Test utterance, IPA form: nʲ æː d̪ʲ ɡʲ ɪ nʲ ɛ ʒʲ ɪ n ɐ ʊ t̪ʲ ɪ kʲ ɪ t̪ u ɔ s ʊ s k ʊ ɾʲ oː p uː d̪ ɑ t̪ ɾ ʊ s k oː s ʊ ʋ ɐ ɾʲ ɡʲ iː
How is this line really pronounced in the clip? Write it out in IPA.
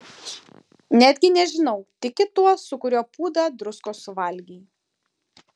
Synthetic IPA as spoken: nʲ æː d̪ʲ ɡʲ ɪ nʲ ɛ ʒʲ ɪ n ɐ ʊ t̪ʲ ɪ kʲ ɪ t̪ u ɔ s ʊ k ʊ ɾʲ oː p uː d̪ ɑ d̪ ɾ ʊ s k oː s ʊ ʋ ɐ lʲ ɡʲ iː